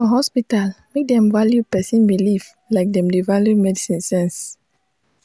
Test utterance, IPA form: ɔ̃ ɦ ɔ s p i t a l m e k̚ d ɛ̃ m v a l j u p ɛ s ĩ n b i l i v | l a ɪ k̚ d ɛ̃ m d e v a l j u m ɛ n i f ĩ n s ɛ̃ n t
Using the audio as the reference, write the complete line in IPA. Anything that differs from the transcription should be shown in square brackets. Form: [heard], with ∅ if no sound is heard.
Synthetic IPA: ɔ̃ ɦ ɔ s p i t a l m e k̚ d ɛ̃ m v a l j u p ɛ s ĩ n b i l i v | l a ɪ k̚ d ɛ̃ m d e v a l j u m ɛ [d] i [s] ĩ n s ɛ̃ n [s]